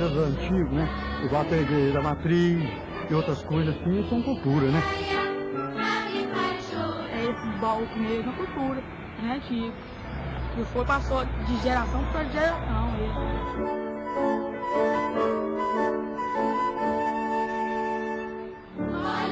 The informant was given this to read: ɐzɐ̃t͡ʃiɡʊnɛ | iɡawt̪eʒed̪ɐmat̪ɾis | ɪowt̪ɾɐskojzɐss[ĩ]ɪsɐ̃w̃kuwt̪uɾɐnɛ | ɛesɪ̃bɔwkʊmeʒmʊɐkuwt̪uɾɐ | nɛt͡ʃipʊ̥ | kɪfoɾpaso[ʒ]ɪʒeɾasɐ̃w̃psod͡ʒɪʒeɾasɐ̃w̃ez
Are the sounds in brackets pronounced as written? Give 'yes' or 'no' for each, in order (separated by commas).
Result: yes, no